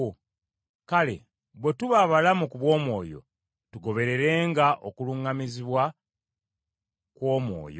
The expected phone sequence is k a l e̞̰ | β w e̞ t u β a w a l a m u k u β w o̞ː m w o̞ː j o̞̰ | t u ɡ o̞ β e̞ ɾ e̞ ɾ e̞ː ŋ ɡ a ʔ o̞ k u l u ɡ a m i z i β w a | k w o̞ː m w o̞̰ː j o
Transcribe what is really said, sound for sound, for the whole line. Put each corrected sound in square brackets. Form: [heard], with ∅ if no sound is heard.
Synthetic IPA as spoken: k a l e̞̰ | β w e̞ t u β a [β] a l a m u k u β w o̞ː m w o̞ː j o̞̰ | t u ɡ o̞ β e̞ ɾ e̞ ɾ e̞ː ŋ ɡ a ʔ o̞ k u l u [ŋ] a m i z i β w a | k w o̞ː m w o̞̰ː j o